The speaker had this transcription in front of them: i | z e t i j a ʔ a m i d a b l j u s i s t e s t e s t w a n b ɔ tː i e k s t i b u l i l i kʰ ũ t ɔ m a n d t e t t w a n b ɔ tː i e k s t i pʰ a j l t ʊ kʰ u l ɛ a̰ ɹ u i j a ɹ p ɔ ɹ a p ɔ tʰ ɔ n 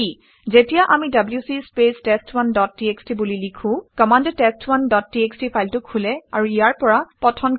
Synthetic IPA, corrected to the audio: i | z e t i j a ʔ a m i d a b l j u s i s p e s t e s t w a n d ɔ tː i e k s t i b u l i l i kʰ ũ k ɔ m a n d t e s t w a n d ɔ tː i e k s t i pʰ a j l t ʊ kʰ u l ɛ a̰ ɹ u i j a ɹ p ɔ ɹ a p ɔ tʰ ɔ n